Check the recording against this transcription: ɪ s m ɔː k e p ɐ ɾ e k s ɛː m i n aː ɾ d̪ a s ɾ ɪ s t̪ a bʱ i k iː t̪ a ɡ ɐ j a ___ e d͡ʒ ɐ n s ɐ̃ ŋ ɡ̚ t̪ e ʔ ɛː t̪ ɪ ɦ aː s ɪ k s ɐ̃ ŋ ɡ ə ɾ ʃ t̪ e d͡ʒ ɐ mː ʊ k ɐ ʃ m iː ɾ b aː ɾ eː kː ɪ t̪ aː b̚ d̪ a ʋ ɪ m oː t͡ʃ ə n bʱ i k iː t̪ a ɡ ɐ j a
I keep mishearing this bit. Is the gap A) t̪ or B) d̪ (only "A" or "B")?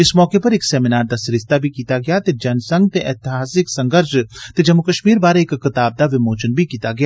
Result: A